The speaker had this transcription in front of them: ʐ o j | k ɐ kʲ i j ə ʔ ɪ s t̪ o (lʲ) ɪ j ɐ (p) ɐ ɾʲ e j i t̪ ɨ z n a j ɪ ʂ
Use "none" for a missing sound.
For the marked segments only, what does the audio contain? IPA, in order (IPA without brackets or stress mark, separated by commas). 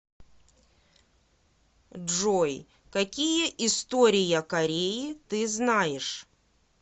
ɾʲ, k